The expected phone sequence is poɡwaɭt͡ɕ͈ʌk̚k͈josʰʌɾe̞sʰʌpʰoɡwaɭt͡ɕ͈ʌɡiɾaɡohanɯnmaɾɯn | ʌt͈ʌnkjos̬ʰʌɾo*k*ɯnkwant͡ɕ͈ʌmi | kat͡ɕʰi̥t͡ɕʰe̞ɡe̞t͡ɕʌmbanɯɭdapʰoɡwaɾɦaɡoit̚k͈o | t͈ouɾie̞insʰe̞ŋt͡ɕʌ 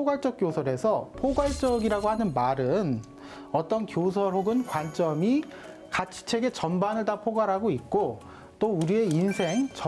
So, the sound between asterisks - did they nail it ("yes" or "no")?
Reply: no